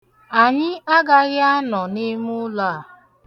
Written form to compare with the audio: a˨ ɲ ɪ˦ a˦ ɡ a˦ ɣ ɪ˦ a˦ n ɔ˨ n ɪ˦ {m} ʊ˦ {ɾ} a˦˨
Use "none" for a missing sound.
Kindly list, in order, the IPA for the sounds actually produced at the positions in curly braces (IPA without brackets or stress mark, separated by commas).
m, l